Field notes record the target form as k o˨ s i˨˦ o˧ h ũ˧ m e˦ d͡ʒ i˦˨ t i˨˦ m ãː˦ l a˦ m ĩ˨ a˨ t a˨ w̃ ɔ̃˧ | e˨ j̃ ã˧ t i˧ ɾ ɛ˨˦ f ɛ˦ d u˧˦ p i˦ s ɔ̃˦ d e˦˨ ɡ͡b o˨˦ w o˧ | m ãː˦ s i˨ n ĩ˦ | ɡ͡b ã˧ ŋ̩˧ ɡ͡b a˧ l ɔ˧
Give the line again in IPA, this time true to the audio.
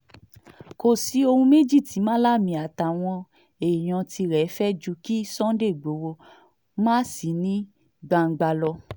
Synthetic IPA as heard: k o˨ s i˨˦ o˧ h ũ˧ m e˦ d͡ʒ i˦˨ t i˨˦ m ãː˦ l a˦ m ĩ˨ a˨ t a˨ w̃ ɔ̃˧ | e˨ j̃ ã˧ t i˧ ɾ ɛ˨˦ f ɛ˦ d͡ʒ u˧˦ k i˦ s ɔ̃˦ d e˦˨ ɡ͡b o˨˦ w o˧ | m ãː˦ s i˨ n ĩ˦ | ɡ͡b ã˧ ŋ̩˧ ɡ͡b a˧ l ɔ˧

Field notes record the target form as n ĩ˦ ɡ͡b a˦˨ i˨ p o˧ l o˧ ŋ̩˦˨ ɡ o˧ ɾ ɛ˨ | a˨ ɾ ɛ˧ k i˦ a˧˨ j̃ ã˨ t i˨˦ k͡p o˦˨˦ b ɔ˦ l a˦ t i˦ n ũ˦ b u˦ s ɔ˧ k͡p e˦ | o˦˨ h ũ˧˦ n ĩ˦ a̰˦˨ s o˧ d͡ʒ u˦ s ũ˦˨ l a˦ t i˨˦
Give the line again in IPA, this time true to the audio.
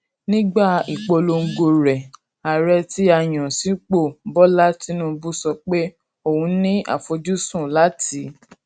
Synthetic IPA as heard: n ĩ˦ ɡ͡b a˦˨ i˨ k͡p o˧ l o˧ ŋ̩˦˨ ɡ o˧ ɾ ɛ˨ | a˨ ɾ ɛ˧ t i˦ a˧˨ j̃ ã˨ s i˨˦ k͡p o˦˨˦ b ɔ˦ l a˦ t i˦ n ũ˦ b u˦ s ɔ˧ k͡p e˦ | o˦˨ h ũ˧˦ n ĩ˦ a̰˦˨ f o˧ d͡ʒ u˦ s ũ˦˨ l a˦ t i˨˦

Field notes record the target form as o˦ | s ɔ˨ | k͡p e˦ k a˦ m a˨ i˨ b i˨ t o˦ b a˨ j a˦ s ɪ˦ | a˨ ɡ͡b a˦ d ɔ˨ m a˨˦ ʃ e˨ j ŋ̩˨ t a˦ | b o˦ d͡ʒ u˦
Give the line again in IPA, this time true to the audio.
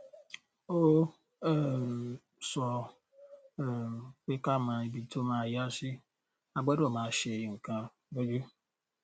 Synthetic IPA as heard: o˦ | s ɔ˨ | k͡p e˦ k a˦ m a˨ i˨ b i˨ t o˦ m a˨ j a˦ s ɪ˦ | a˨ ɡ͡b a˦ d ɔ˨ m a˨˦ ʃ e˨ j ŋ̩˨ k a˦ | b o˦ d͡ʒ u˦

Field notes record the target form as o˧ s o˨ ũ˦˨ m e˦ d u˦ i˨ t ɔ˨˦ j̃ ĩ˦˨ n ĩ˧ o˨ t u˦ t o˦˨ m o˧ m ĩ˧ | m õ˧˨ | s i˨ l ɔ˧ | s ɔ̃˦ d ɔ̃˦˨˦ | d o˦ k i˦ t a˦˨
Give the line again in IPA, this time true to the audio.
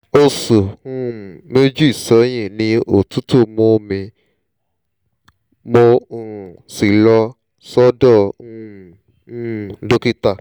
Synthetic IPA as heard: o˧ s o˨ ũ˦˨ m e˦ d͡ʒ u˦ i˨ s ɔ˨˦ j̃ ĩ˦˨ n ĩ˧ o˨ t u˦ t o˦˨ m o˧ m ĩ˧ | m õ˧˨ | s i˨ l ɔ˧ | s ɔ˦ d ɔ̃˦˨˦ | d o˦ k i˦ t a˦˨

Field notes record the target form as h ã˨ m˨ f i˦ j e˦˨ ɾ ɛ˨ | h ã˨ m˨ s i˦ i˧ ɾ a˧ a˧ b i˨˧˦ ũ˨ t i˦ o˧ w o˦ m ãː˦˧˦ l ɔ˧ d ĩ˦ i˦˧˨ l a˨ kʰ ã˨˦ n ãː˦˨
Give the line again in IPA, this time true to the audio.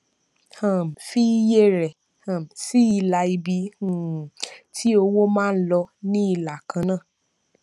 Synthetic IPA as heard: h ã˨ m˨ f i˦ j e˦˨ ɾ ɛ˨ | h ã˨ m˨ s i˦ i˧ l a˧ i˧ b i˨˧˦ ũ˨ t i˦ o˧ w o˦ m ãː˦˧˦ l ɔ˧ n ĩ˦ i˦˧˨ l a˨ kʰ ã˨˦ n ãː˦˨

